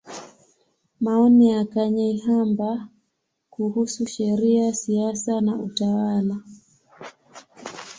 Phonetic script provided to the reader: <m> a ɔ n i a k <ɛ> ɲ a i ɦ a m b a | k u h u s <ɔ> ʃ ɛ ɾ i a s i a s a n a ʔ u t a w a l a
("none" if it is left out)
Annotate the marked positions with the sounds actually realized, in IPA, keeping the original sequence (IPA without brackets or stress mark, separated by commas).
m, a, u